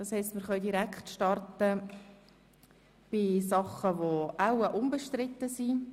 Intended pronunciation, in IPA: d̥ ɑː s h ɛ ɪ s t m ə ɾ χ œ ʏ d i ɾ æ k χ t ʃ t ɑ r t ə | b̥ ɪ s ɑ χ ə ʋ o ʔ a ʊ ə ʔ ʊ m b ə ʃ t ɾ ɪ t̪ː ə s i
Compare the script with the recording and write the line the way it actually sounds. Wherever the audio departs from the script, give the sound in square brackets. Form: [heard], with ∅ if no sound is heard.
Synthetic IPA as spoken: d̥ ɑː s h ɛ ɪ s t m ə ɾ χ œ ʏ d i ɾ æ k χ t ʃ t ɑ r t ə | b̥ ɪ s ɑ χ ə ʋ o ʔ a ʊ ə ʔ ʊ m b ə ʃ t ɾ ɪ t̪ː ə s i